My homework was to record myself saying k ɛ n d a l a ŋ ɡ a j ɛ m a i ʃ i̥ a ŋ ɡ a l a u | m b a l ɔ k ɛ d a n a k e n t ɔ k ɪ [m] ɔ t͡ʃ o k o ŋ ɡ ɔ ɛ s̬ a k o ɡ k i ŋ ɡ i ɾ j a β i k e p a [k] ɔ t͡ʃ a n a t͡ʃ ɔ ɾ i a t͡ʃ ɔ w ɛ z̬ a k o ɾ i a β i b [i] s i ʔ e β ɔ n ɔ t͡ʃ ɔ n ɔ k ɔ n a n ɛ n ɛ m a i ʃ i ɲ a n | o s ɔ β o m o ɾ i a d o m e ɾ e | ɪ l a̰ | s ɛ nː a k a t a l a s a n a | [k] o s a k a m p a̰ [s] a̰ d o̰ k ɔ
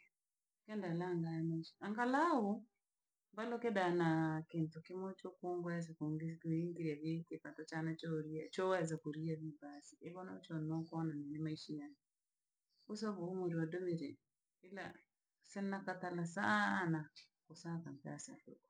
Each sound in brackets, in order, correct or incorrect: correct, incorrect: t, incorrect: a, correct, correct

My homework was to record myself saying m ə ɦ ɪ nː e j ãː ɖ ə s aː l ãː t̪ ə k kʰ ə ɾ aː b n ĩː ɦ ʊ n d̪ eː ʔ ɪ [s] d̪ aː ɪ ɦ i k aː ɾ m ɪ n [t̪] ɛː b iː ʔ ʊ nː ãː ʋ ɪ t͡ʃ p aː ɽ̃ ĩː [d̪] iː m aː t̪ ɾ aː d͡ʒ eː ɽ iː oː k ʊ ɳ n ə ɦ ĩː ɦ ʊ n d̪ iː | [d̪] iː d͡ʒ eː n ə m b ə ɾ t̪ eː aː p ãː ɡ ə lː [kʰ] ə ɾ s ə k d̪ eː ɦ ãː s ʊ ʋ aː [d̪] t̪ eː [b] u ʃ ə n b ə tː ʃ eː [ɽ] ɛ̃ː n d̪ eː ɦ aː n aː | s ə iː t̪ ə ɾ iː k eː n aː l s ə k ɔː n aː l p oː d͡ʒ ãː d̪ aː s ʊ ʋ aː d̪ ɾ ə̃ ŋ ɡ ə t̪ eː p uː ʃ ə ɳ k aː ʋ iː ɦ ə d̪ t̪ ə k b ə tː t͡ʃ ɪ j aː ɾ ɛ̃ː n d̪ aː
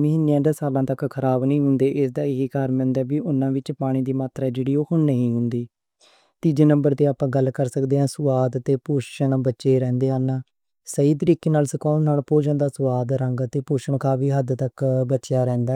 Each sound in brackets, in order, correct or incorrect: correct, incorrect: d̪, correct, incorrect: t̪, incorrect: k, correct, incorrect: p, incorrect: ɾ

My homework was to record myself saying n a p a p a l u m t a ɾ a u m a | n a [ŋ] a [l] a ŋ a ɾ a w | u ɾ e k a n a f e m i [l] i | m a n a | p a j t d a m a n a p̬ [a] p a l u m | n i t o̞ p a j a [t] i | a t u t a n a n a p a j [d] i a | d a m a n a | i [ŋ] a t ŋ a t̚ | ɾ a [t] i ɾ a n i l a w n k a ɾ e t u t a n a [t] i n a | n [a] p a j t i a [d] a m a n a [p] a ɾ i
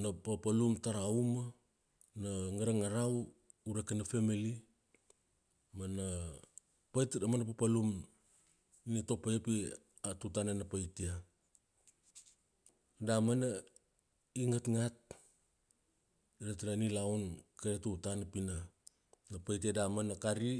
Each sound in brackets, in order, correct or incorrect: correct, incorrect: ɾ, correct, correct, incorrect: p, incorrect: t, correct, correct, incorrect: p, correct, correct, incorrect: k

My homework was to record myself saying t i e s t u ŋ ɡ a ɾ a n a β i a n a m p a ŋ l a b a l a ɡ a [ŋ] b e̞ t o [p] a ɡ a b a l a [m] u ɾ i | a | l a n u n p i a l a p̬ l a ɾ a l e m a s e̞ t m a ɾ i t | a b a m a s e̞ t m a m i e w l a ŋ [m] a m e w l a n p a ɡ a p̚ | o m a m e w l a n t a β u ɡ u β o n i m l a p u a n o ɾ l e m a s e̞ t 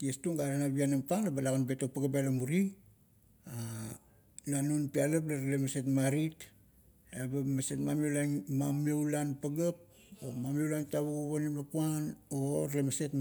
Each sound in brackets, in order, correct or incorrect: incorrect: n, correct, correct, correct

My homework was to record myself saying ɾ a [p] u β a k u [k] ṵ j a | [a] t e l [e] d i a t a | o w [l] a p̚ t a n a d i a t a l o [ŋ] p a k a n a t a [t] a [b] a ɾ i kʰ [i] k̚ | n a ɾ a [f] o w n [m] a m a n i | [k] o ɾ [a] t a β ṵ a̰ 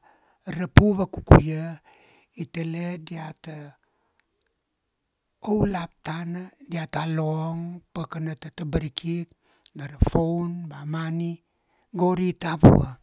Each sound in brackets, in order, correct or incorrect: correct, correct, incorrect: i, correct, correct, correct, correct, correct, correct, correct, incorrect: b, incorrect: ɡ, incorrect: i

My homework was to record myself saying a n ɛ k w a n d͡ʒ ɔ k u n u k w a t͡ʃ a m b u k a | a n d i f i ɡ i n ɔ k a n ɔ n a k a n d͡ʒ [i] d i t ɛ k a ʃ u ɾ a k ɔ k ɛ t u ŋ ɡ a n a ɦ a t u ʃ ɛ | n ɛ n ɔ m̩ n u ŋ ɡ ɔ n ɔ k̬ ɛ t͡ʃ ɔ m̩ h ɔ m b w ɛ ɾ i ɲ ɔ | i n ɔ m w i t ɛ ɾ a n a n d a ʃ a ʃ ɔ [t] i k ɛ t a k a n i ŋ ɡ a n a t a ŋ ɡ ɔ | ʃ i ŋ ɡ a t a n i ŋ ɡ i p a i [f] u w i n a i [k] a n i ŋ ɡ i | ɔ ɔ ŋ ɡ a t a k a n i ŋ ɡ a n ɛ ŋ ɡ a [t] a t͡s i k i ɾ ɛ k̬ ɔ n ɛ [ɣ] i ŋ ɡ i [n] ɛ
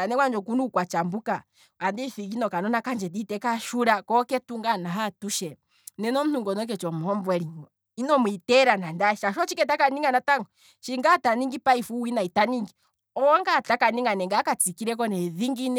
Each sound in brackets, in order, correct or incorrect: incorrect: ɛ, incorrect: t͡ʃ, correct, incorrect: t, incorrect: k, incorrect: ð, correct

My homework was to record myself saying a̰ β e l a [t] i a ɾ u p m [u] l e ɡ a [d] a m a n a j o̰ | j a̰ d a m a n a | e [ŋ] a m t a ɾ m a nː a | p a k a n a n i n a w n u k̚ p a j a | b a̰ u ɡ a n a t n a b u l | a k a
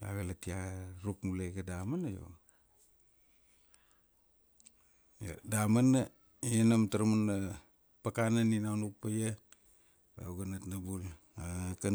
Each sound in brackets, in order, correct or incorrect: correct, correct, correct, incorrect: n

